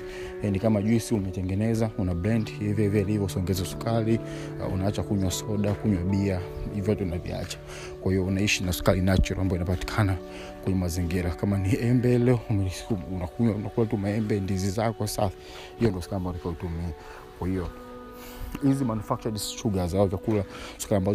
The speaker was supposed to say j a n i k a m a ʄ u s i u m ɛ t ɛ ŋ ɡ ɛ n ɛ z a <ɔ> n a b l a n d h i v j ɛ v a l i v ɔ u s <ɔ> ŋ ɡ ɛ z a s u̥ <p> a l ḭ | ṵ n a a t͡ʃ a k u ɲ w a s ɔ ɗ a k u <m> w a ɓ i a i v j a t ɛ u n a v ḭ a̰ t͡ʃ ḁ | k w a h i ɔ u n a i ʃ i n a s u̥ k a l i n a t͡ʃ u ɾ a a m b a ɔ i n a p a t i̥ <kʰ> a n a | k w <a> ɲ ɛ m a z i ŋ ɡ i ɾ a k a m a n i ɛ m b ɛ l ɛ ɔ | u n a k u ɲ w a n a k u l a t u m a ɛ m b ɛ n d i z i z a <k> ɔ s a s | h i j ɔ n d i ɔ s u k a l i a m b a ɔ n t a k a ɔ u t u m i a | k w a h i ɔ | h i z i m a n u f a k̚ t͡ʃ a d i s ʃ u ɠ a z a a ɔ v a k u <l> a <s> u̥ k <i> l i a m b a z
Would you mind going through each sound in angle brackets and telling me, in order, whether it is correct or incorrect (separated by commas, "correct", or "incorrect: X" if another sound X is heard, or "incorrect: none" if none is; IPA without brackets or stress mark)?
incorrect: u, correct, incorrect: k, incorrect: ɲ, correct, incorrect: ɛ, correct, correct, correct, incorrect: a